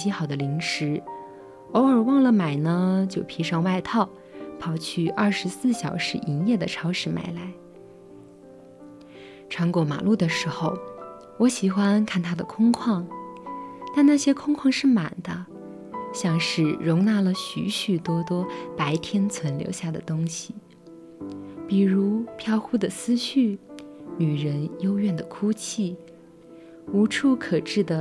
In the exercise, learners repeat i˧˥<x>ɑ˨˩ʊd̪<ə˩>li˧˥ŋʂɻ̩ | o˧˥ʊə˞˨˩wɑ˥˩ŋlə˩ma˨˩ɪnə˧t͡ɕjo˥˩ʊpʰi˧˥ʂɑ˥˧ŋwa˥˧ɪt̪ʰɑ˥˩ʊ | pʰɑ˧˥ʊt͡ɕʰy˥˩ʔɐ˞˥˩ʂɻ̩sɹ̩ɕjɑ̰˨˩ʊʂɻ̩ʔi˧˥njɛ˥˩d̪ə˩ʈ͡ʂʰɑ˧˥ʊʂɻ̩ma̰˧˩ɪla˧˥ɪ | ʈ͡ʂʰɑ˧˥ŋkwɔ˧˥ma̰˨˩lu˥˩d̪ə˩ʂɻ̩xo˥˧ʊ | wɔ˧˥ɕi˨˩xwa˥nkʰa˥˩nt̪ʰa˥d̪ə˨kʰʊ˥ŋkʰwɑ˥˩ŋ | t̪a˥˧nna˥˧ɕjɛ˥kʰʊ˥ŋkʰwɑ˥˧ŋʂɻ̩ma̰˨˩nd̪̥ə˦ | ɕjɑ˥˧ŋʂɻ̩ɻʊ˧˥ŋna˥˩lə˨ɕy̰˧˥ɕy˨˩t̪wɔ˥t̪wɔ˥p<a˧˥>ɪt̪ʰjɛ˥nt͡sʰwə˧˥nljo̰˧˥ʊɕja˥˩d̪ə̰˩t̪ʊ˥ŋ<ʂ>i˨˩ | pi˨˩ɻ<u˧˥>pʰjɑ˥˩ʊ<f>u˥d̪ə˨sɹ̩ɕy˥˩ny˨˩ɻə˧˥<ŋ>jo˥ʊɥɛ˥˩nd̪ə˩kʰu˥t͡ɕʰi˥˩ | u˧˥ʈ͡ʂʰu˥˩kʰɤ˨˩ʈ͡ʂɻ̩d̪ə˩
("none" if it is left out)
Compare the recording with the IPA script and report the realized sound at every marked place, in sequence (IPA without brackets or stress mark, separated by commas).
x, ə˦, a˧˥, ɕ, u˧˥, x, n